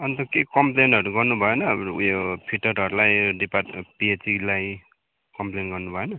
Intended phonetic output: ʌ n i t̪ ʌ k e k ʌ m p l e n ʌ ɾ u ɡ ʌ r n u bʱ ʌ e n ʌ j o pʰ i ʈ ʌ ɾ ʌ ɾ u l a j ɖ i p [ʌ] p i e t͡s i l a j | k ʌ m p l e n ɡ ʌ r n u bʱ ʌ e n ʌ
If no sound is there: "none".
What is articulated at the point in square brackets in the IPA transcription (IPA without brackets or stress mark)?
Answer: a